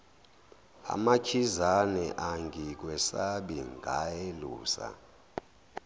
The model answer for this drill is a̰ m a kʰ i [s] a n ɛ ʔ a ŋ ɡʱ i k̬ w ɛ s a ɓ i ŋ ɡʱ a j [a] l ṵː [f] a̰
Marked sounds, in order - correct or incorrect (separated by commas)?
incorrect, incorrect, incorrect